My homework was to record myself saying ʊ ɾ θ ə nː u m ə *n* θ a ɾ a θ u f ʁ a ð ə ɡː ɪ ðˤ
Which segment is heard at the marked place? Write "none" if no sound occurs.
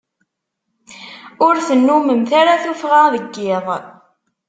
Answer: m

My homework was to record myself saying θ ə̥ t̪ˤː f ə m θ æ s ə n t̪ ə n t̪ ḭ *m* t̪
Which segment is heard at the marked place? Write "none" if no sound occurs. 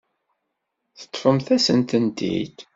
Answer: none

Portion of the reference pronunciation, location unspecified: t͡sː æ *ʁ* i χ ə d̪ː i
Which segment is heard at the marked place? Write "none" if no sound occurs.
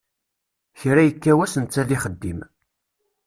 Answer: ð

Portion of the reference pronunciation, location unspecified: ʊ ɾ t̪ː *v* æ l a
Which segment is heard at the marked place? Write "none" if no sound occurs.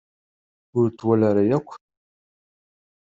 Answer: w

